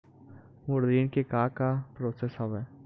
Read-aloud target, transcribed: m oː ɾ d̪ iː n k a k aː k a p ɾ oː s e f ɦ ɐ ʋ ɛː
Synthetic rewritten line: m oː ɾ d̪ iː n k e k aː k a p ɾ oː s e s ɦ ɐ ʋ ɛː